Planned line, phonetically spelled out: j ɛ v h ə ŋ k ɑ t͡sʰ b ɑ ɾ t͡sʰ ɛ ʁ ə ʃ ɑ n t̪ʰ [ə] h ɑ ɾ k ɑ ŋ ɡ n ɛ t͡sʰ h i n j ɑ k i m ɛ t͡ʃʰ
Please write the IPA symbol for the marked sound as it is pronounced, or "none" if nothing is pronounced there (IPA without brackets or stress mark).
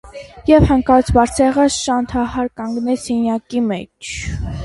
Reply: ɑ